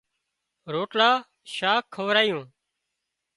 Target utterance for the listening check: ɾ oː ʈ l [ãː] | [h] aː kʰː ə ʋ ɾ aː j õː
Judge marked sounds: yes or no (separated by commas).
no, no